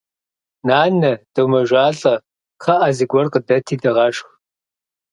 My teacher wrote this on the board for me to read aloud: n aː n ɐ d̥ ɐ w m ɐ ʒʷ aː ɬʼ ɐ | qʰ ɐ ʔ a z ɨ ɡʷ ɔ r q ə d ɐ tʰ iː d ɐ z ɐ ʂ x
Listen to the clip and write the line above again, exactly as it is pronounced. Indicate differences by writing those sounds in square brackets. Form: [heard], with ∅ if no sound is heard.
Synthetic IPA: n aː n ɐ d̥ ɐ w m ɐ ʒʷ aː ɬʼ ɐ | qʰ ɐ ʔ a z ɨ ɡʷ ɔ r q ə d ɐ tʰ iː d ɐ [ʁ] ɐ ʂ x